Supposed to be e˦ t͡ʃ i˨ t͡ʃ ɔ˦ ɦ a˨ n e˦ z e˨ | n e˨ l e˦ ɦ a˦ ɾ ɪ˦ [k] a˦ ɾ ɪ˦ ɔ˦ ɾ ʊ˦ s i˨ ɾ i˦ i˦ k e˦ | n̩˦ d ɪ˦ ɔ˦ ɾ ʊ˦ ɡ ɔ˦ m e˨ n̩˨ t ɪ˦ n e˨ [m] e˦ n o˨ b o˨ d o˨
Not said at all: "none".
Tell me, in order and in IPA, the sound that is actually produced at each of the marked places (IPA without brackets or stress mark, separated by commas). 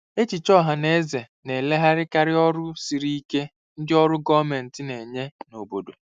k, ɲ